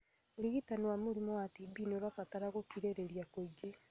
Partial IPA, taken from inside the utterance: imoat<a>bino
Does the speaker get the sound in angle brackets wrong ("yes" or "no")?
yes